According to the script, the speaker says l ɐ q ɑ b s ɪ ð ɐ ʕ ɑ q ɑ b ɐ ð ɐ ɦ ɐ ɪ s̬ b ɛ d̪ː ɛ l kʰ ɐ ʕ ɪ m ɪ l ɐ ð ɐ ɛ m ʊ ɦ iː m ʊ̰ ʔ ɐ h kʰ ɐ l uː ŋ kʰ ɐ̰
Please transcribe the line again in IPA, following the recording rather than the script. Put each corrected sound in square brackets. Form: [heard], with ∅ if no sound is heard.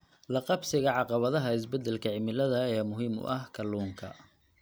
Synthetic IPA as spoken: l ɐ q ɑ b s ɪ [ɣ] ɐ ʕ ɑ q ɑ [β] ɐ ð ɐ ɦ ɐ ɪ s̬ b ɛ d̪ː ɛ l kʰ ɐ ʕ ɪ m ɪ l ɐ ð ɐ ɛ m ʊ ɦ iː m ʊ̰ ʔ ɐ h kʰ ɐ l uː ŋ kʰ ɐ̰